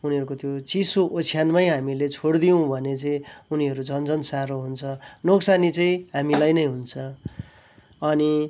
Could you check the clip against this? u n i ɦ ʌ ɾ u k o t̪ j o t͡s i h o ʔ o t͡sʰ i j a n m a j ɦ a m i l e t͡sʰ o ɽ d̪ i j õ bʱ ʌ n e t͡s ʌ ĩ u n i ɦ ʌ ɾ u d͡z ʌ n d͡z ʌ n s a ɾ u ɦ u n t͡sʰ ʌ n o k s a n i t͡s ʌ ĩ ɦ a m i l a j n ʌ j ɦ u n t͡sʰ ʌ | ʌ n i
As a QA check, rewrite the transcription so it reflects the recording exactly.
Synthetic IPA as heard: u n i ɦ ʌ ɾ u k o t̪ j o t͡s i s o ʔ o t͡sʰ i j a n m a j ɦ a m i l e t͡sʰ o ɽ d̪ i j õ bʱ ʌ n e t͡s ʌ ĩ u n i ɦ ʌ ɾ u d͡z ʌ n d͡z ʌ n s a ɾ o ɦ u n t͡sʰ ʌ n o k s a n i t͡s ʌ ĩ ɦ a m i l a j n ʌ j ɦ u n t͡sʰ ʌ | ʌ n i